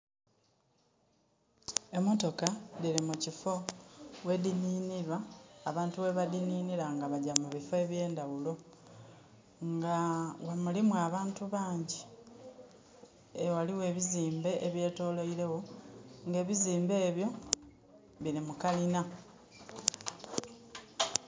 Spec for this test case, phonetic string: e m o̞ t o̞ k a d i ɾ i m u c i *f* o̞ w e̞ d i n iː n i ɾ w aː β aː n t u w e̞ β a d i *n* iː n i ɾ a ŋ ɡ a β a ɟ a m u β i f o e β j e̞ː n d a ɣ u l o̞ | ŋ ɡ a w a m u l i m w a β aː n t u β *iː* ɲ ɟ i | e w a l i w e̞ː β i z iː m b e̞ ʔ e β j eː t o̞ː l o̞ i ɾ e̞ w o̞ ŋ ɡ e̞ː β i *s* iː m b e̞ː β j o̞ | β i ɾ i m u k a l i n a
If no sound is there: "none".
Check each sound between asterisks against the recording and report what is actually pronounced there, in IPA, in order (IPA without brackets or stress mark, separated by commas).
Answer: f, n, aː, z